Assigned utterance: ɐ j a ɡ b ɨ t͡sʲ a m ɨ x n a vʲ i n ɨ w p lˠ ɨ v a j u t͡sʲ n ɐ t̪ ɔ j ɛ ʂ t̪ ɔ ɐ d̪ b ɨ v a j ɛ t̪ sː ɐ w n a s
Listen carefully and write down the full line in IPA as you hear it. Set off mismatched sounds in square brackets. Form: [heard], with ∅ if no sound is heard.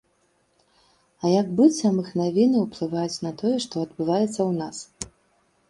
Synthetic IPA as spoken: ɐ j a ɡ b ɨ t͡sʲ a m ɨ x n a vʲ i n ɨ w p lˠ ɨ v a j u t͡sʲ n ɐ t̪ ɔ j ɛ ʂ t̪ ɔ ɐ d̪ b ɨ v a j ɛ t̪ sː ɐ w n a s

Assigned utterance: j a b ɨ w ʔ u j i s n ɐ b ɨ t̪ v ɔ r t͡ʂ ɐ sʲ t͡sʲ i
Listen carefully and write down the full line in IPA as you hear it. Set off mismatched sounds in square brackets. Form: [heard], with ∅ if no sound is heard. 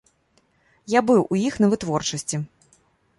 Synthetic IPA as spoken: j a b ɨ w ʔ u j i [x] n ɐ [v] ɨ t̪ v ɔ r t͡ʂ ɐ sʲ t͡sʲ i

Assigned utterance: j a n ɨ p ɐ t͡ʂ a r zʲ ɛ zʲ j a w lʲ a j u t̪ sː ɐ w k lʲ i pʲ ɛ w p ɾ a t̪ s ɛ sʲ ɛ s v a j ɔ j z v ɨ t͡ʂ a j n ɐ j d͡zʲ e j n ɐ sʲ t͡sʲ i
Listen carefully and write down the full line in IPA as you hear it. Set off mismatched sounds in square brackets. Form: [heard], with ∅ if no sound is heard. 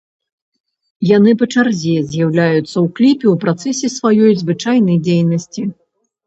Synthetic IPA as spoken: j a n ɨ p ɐ t͡ʂ a r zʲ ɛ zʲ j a w lʲ a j u t̪ sː ɐ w k lʲ i pʲ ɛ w p ɾ a t̪ s ɛ sʲ ɛ s v a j ɔ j z v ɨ t͡ʂ a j n ɐ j d͡zʲ e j n ɐ sʲ t͡sʲ i

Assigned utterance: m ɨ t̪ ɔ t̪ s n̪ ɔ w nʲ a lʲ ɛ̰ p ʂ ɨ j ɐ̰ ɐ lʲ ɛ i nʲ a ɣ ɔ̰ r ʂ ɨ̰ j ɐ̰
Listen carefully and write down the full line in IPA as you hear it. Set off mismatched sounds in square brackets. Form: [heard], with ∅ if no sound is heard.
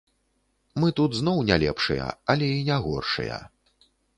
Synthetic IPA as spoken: m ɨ t̪ [u] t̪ [z] n̪ ɔ w nʲ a lʲ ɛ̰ p ʂ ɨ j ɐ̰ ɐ lʲ ɛ i nʲ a ɣ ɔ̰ r ʂ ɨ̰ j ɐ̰

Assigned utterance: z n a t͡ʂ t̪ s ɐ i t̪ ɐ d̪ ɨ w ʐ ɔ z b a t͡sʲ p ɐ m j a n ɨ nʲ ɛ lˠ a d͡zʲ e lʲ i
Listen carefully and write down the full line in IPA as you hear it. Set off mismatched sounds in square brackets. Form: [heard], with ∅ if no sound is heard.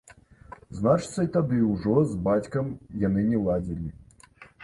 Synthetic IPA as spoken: z n a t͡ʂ t̪ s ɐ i t̪ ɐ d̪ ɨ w ʐ ɔ z b a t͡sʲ [k] ɐ m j a n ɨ nʲ ɛ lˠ a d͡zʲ [i] lʲ i

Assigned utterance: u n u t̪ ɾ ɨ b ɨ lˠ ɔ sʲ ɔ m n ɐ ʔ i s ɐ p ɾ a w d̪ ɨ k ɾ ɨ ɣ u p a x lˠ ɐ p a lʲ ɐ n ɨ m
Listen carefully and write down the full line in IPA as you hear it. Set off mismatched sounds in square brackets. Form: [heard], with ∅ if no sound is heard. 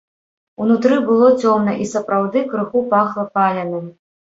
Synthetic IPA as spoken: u n u t̪ ɾ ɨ b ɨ lˠ ɔ [t͡sʲ] ɔ m n ɐ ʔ i s ɐ p ɾ a w d̪ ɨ k ɾ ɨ [x] u p a x lˠ ɐ p a lʲ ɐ n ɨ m

